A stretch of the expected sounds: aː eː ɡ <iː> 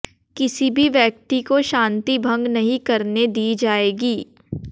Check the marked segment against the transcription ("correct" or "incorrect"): correct